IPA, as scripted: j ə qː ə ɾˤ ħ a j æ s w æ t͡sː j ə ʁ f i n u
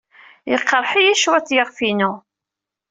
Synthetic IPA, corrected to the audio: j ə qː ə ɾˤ ħ i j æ ʃ w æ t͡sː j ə ʁ f i n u